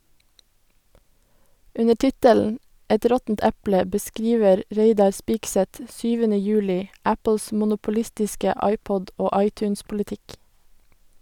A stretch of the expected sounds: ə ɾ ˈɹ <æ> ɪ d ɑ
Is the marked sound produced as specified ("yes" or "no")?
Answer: no